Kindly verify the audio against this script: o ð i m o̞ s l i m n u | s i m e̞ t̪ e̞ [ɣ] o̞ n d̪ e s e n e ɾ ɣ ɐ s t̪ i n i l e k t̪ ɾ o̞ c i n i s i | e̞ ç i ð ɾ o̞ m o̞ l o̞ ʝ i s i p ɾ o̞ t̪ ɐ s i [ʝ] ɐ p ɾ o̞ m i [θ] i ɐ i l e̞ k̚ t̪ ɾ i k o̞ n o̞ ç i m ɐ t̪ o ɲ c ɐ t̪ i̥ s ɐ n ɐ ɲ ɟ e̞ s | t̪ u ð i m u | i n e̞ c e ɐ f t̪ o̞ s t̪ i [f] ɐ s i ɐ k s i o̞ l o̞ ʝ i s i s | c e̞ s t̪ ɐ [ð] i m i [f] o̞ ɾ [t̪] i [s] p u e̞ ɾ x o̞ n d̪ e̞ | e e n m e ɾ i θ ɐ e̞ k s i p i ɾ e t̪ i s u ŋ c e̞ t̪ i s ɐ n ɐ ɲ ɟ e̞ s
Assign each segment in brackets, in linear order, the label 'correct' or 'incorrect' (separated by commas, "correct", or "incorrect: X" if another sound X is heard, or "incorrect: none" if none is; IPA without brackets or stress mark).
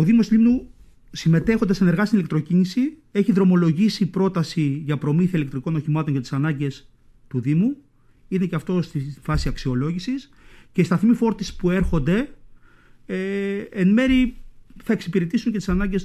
incorrect: x, correct, correct, correct, incorrect: θ, correct, correct, correct